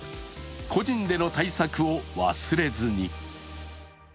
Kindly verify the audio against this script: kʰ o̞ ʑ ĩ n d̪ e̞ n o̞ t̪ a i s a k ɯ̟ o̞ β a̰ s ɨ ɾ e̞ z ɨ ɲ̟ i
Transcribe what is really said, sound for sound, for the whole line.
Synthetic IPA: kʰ o̞ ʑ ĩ n d̪ e̞ n o̞ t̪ a i s a k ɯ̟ o̞ β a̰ s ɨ ɾ e̞ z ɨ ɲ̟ i